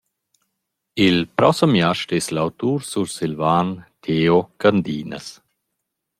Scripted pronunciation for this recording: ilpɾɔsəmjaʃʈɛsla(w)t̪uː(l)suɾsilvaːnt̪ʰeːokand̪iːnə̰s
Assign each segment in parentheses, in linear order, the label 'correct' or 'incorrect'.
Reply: correct, incorrect: ɾ

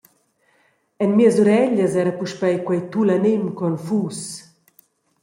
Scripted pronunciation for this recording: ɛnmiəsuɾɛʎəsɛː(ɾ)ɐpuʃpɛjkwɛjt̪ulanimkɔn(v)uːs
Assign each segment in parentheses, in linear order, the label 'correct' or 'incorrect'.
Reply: correct, incorrect: f

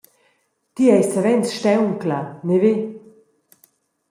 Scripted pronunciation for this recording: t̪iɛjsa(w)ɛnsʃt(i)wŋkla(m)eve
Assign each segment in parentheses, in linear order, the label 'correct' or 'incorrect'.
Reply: incorrect: v, incorrect: ɛ, incorrect: n

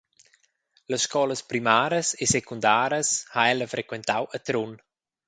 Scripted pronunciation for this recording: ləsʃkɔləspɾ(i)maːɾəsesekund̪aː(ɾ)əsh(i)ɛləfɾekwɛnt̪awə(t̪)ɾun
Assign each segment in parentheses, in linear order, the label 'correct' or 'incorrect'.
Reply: correct, correct, incorrect: a, correct

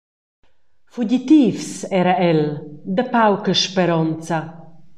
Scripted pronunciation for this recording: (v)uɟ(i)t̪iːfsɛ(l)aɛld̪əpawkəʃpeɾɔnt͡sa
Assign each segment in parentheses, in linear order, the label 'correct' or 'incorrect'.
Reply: incorrect: f, correct, incorrect: ɾ

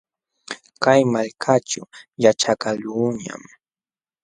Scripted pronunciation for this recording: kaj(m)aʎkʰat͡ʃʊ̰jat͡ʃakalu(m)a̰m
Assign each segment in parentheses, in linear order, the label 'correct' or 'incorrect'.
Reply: correct, incorrect: ɲ

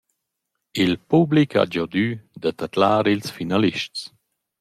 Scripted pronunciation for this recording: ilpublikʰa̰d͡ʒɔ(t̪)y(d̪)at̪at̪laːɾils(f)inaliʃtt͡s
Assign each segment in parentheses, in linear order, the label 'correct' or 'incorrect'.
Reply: incorrect: d̪, correct, correct

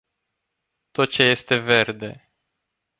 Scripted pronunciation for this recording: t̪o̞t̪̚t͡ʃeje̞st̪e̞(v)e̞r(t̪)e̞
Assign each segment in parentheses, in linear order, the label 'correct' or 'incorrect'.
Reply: correct, incorrect: d̪

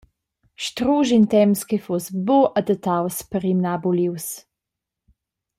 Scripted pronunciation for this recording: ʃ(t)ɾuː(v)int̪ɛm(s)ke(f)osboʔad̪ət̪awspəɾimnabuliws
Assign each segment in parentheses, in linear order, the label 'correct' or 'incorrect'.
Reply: correct, incorrect: ʒ, correct, correct

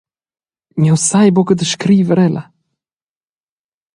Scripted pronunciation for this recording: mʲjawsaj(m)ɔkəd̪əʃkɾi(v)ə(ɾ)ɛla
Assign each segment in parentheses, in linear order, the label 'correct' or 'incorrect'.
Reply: incorrect: b, correct, correct

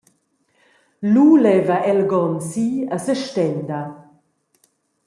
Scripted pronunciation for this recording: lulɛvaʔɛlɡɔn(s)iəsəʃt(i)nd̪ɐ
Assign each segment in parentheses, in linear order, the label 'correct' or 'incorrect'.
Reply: correct, incorrect: ɛ

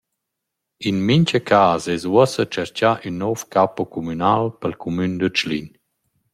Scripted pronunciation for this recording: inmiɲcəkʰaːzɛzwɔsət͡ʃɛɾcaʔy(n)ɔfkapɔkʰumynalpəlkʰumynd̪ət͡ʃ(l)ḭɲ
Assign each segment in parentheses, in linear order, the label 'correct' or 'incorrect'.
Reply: incorrect: nː, correct

